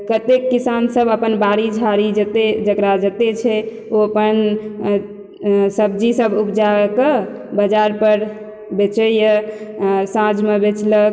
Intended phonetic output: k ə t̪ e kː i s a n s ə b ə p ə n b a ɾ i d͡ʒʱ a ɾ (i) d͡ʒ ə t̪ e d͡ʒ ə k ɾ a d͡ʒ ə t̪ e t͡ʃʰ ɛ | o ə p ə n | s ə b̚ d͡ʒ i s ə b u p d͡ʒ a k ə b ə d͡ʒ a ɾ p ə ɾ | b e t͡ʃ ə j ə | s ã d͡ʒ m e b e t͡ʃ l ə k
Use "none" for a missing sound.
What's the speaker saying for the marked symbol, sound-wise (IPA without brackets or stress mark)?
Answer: i